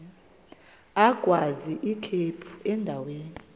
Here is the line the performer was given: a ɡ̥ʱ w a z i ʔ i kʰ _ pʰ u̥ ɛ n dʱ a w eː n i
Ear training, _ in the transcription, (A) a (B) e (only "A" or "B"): B